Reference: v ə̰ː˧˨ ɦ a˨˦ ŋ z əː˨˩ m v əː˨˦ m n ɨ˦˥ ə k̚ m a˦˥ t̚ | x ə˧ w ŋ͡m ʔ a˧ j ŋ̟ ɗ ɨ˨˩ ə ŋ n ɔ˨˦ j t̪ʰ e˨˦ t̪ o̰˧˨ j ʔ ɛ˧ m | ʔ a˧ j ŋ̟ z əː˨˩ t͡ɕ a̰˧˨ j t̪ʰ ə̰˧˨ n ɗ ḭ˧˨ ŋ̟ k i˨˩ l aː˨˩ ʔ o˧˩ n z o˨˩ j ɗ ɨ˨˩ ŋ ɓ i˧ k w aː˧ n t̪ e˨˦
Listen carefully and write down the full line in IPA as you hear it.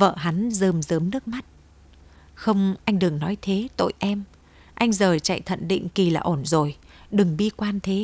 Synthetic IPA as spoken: v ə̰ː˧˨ ɦ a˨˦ n z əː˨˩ m z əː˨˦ m n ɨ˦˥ ə k̚ m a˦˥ t̚ | x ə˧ w ŋ͡m ʔ a˧ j ŋ̟ ɗ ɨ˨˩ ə ŋ n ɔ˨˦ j t̪ʰ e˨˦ t̪ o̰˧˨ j ʔ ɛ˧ m | ʔ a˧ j ŋ̟ z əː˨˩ t͡ɕ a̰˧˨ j t̪ʰ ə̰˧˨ n ɗ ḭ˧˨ ŋ̟ k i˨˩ l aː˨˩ ʔ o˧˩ n z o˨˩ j ɗ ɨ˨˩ ŋ ɓ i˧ k w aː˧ n t̪ʰ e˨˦